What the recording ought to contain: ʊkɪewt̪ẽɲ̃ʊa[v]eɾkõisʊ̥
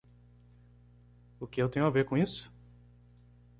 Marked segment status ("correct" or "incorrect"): correct